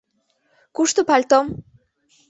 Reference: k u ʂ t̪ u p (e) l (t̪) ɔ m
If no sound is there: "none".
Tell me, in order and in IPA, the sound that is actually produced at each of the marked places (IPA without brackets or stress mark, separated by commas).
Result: a, t̪